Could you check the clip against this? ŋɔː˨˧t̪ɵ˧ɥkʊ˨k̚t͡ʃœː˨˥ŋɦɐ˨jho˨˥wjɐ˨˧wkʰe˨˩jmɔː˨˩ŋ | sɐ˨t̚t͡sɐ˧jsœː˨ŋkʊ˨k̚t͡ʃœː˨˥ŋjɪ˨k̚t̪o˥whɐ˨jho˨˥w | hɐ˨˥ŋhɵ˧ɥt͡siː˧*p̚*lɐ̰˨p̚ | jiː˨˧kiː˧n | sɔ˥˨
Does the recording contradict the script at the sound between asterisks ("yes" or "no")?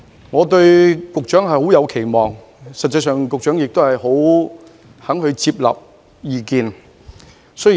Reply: no